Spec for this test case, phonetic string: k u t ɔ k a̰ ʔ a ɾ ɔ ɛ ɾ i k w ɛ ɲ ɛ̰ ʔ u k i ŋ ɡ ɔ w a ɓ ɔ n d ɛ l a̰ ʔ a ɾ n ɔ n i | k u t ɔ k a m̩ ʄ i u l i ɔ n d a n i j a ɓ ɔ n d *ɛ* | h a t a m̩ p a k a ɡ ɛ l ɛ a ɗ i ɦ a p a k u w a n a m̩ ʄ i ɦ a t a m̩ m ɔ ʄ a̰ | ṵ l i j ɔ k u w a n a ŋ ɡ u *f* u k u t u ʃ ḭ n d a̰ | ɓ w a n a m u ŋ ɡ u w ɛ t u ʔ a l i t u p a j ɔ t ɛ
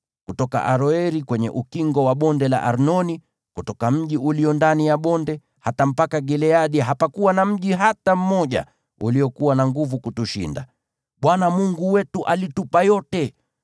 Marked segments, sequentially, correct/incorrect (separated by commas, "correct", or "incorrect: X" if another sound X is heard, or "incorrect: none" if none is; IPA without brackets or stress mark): correct, incorrect: v